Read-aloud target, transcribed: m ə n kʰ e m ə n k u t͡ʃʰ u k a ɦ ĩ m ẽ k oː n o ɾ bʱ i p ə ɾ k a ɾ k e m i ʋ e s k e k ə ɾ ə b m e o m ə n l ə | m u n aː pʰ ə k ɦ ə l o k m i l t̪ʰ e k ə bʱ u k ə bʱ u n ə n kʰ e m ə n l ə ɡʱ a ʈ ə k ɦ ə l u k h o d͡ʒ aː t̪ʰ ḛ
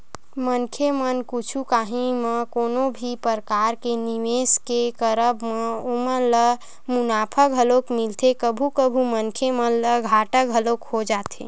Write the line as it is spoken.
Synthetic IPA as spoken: m ə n kʰ e m ə n k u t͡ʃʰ u k a ɦ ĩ m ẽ k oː n o bʱ i p ə ɾ k a ɾ k e n i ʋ e s k e k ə ɾ ə b m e o m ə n l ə | m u n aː pʰ ə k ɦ ə l o k m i l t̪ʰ e k ə bʱ u k ə bʱ u m ə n kʰ e m ə n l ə ɡʱ a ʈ ə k ɦ ə l o k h o d͡ʒ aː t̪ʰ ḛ